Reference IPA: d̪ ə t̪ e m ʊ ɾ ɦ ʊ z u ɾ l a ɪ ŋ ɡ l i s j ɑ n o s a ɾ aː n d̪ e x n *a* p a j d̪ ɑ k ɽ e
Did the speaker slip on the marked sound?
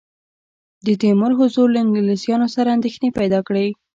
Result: yes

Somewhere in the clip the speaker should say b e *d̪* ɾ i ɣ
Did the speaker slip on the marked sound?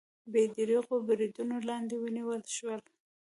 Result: no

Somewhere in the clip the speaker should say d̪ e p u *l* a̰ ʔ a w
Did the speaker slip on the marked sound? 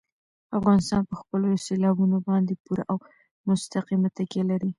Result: yes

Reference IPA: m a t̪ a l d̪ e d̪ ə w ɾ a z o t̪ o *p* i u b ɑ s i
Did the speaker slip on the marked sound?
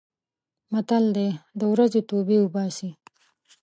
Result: yes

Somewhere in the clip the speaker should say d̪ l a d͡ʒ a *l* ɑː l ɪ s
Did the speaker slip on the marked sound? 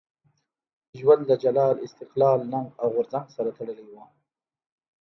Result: no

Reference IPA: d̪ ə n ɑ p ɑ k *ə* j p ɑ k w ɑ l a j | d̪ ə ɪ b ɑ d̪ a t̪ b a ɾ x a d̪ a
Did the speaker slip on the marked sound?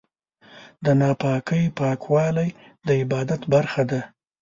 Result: no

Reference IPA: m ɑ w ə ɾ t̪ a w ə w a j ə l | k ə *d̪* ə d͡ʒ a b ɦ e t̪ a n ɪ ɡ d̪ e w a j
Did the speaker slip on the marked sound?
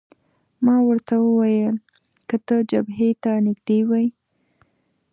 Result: yes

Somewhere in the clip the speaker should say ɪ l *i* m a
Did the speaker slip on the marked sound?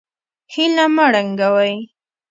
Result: yes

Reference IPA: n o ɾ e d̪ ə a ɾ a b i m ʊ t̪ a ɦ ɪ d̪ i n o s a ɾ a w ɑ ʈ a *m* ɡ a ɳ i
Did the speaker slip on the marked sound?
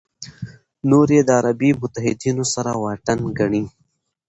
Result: yes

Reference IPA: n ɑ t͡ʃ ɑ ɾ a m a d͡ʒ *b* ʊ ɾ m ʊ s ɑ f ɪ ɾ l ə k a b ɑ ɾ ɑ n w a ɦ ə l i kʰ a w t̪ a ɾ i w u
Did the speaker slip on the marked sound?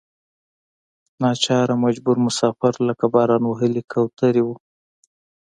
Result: no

